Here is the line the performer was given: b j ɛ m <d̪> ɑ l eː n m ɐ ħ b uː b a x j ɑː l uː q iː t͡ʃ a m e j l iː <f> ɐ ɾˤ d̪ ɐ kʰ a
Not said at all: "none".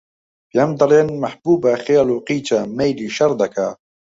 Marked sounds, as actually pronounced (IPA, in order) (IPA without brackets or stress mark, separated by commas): d̪, ʃ